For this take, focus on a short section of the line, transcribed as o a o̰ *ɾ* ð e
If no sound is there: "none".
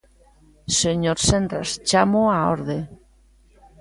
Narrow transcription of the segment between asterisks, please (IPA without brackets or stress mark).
ɾ